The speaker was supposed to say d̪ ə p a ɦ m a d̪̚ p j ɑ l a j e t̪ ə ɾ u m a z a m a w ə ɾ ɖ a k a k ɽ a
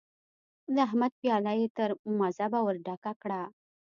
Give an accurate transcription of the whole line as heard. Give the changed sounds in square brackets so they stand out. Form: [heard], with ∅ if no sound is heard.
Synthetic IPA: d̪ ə [∅] a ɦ m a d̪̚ p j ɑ l a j e t̪ ə ɾ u m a z a [b] a w ə ɾ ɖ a k a k ɽ a